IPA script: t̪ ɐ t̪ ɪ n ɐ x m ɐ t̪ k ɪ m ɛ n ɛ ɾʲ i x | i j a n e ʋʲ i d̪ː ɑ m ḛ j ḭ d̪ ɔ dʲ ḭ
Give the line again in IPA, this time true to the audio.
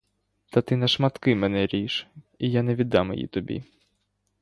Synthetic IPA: t̪ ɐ t̪ ɪ n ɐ ʃ m ɐ t̪ k ɪ m ɛ n ɛ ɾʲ i ʃ | i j a n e ʋʲ i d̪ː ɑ m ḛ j ḭ t̪ ɔ bʲ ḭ